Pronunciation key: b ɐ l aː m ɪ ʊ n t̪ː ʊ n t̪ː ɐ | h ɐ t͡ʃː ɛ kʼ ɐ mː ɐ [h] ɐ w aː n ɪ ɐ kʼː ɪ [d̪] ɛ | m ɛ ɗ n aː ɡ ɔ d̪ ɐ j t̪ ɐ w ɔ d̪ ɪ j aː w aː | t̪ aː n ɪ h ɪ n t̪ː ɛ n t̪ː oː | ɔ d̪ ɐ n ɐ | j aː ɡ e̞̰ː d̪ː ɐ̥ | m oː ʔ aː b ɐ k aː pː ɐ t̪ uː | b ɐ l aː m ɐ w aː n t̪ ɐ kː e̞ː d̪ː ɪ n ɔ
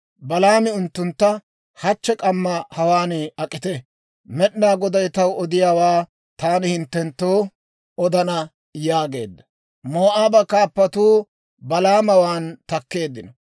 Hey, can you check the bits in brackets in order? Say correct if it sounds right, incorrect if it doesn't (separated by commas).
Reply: correct, incorrect